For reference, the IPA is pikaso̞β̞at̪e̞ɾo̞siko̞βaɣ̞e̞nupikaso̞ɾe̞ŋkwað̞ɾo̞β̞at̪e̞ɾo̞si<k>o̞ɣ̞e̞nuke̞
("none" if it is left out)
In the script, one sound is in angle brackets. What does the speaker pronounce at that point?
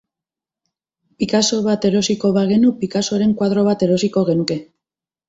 k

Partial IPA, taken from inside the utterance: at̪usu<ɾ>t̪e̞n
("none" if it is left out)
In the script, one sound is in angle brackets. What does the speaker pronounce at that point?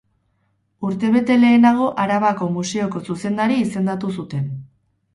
none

